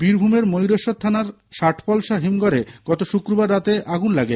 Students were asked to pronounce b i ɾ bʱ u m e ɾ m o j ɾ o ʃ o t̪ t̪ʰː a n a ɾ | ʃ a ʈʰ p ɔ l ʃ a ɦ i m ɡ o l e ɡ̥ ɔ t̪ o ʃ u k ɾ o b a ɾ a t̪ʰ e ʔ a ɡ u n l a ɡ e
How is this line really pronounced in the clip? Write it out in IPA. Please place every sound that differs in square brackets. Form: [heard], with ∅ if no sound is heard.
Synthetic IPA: b i ɾ bʱ u m e ɾ m o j ɾ o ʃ o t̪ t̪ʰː a n a ɾ | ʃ a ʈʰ p ɔ l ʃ a ɦ i m ɡ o [ɾ] e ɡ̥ ɔ t̪ o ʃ u k ɾ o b a [ɾː] a [t̪] e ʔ a ɡ u n l a ɡ e